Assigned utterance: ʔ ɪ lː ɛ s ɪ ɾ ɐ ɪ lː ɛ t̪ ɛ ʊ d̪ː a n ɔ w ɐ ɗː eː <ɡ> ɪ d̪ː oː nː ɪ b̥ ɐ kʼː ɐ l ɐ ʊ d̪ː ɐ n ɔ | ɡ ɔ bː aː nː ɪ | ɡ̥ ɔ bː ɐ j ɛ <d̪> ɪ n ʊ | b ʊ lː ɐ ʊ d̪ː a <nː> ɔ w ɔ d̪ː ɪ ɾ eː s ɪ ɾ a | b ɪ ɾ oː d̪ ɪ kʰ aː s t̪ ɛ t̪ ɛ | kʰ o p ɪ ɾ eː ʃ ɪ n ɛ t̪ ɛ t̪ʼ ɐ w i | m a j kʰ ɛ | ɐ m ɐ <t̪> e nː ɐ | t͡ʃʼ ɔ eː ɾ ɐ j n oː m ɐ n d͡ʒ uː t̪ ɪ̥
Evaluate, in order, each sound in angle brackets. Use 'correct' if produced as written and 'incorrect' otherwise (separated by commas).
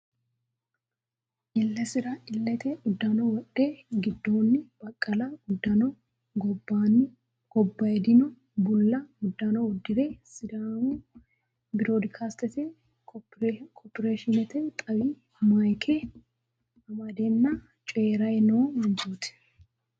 correct, correct, incorrect, incorrect